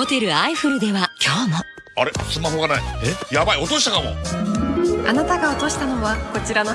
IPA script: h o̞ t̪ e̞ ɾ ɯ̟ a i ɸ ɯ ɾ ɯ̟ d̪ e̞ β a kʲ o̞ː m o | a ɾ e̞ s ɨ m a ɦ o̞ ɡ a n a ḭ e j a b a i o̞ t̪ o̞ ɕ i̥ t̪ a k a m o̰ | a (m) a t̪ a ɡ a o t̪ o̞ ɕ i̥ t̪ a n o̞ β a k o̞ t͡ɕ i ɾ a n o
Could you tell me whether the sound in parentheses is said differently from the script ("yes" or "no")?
yes